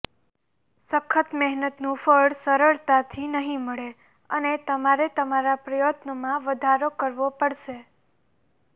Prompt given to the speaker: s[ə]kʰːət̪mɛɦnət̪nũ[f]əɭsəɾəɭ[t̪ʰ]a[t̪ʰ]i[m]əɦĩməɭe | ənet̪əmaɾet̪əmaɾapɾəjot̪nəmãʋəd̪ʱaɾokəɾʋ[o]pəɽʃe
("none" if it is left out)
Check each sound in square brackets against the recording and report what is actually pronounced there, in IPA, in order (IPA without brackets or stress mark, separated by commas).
ə, f, t̪, t̪ʰ, n, o